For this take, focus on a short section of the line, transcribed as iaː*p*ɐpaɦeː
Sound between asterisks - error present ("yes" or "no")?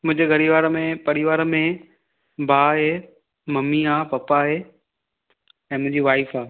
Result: no